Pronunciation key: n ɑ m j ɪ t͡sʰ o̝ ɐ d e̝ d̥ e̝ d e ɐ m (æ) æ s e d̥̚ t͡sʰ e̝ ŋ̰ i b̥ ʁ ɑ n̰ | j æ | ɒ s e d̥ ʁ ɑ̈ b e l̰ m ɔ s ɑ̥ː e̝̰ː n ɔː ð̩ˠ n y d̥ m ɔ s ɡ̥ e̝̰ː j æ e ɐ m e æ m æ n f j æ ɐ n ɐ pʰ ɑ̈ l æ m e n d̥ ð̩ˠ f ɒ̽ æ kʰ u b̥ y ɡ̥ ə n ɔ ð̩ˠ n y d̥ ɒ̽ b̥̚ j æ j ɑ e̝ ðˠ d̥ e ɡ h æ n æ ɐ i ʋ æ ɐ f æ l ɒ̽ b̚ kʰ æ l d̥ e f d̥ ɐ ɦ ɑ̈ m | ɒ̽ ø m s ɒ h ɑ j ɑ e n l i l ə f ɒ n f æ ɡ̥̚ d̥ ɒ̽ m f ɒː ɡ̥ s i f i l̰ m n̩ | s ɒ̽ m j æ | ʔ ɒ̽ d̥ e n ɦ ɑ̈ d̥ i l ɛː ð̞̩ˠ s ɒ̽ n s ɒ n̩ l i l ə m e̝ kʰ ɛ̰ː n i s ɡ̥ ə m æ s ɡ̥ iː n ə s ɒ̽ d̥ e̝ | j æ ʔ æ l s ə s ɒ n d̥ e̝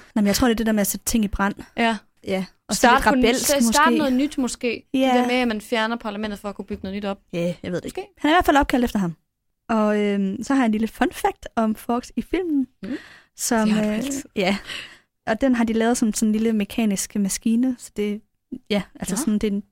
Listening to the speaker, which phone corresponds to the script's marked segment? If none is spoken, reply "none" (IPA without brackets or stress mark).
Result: e